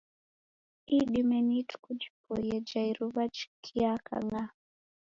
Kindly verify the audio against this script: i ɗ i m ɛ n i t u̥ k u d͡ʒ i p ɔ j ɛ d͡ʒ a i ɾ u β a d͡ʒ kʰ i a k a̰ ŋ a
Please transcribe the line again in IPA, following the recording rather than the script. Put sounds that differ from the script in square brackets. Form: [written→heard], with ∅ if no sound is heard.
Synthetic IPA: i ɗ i m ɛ n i t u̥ k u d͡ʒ i p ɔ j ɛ d͡ʒ a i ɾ u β a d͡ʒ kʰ i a k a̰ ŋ a